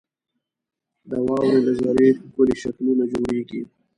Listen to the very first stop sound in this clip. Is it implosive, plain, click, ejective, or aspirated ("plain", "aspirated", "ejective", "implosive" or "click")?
plain